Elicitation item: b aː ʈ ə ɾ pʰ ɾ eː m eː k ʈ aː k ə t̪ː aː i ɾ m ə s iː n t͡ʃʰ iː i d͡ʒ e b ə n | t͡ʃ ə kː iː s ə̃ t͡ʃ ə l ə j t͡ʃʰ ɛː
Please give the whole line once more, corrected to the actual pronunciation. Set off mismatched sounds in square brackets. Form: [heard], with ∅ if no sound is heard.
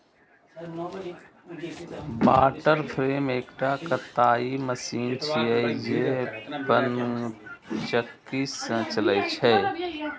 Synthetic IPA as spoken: b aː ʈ ə ɾ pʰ ɾ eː m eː k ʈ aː k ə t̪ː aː i [∅] m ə s iː n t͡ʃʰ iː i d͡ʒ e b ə n | t͡ʃ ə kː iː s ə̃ t͡ʃ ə l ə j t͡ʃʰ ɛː

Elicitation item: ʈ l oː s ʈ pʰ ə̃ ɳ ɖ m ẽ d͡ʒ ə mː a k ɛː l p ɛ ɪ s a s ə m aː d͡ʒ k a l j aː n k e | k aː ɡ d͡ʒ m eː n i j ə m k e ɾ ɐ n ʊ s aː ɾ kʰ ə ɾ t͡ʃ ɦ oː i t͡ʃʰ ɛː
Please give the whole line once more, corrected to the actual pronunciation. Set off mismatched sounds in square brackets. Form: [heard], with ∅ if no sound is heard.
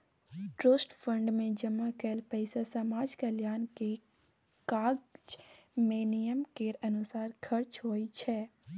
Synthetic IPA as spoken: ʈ [ɾ] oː s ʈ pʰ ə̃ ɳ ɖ m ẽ d͡ʒ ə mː a k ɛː l p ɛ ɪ s a s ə m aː d͡ʒ k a l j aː n k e | k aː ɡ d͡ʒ m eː n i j ə m k e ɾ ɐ n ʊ s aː ɾ kʰ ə ɾ t͡ʃ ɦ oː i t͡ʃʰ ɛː

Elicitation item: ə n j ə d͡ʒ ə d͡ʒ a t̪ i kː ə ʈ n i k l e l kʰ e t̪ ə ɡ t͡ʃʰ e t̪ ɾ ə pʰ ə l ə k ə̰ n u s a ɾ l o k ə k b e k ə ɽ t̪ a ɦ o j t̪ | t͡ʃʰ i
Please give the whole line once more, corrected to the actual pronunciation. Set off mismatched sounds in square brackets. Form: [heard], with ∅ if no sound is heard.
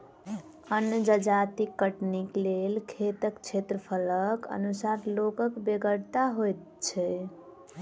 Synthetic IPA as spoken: ə n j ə d͡ʒ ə d͡ʒ a t̪ i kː ə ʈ n i k l e l kʰ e t̪ ə [k] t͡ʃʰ e t̪ ɾ ə pʰ ə l ə k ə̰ n u s a ɾ l o k ə k b e [ɡ] ə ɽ t̪ a ɦ o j t̪ | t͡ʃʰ [ɛ]

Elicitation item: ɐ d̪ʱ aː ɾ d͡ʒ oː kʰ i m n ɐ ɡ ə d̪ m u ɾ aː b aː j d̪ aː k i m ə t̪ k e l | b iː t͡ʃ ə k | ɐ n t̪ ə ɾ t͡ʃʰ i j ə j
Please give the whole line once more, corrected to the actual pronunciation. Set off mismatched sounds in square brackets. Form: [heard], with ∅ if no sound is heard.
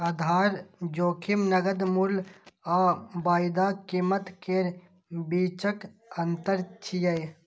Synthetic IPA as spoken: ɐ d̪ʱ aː ɾ d͡ʒ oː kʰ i m n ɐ ɡ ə d̪ m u [l] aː b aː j d̪ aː k i m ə t̪ k e [ɾ] | b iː t͡ʃ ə k | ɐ n t̪ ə ɾ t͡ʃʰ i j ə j

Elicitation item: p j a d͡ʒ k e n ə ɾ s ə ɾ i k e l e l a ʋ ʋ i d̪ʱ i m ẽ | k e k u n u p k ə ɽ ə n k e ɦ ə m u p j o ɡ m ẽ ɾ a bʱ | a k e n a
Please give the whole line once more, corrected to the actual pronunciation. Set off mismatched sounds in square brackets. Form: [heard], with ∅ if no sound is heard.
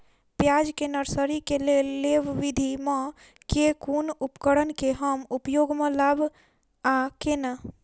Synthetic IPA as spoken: p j a d͡ʒ k e n ə ɾ s ə ɾ i k e l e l [e] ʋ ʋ i d̪ʱ i m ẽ | k e k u n u p k ə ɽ ə n k e ɦ ə m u p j o ɡ m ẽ [l] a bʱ | a k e n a

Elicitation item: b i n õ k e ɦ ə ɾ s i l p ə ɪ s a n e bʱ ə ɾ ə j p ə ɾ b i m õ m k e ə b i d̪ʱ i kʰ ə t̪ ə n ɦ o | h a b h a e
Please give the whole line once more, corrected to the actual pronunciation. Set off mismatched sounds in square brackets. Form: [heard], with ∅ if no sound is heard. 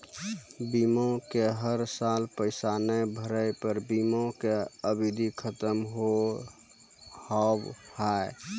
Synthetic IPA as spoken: b i [m] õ k e ɦ ə ɾ s [a] l p ə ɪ s a n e bʱ ə ɾ ə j p ə ɾ b i m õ [∅] k e ə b i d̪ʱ i kʰ ə t̪ ə [m] ɦ o | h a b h a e

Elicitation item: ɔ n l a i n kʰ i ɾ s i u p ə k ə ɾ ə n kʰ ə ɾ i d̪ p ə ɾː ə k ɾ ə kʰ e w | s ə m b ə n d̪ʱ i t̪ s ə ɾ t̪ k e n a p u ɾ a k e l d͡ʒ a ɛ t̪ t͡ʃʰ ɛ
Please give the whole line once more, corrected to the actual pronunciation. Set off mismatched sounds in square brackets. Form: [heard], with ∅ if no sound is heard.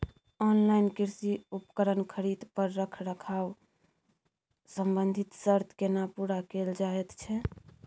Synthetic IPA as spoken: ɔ n l a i n [k] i ɾ s i u p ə k ə ɾ ə n kʰ ə ɾ i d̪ p ə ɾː ə [kʰ] ɾ ə kʰ [a] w | s ə m b ə n d̪ʱ i t̪ s ə ɾ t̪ k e n a p u ɾ a k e l d͡ʒ a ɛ t̪ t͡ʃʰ ɛ

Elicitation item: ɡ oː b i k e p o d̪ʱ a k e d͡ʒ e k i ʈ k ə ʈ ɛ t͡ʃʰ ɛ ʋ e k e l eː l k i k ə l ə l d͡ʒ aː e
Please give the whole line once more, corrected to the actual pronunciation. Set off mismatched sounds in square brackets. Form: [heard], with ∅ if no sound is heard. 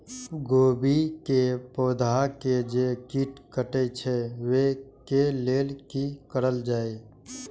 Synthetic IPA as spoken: ɡ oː b i k e p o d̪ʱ a k e d͡ʒ e k i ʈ k ə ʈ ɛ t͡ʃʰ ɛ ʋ e k e l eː l k i k ə [ɾ] ə l d͡ʒ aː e

